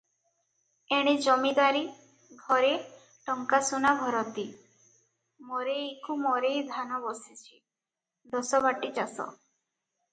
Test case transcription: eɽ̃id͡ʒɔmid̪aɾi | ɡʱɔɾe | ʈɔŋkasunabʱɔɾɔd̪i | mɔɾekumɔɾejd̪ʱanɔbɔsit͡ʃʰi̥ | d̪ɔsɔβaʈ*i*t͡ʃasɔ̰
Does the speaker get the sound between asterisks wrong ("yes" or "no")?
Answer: no